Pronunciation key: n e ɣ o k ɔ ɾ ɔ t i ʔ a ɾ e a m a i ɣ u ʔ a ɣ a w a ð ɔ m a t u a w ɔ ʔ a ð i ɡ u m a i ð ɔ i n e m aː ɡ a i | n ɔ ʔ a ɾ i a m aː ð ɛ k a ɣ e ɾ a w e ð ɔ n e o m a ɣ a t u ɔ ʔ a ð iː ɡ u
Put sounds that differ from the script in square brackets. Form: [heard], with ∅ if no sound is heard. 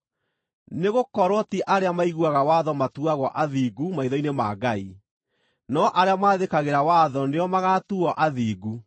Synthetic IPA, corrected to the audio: n e ɣ o k ɔ ɾ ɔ t i ʔ a ɾ e a m a i ɣ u [∅] a ɣ a w a ð ɔ m a t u a [ɣ] ɔ ʔ a ð i ɡ u m a i ð ɔ i n e m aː ɡ a i | n ɔ ʔ a ɾ [e] a m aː ð [e] k a ɣ e ɾ a w [a] ð ɔ n e [ɔ] m a ɣ a t u ɔ ʔ a ð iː ɡ u